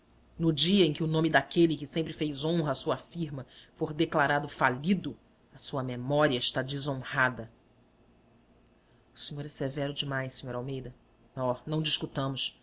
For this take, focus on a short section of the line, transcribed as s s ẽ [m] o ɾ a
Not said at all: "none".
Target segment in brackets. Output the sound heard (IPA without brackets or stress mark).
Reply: ɲ